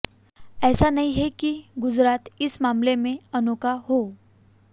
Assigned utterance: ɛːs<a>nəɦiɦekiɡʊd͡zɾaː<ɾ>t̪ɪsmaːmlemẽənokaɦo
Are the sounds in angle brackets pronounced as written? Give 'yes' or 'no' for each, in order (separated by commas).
yes, no